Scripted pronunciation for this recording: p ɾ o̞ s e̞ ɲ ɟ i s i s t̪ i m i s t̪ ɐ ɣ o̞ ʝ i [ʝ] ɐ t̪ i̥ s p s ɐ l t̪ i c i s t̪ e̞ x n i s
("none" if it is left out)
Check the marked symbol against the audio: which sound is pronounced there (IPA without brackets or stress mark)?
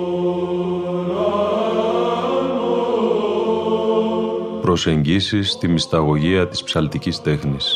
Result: none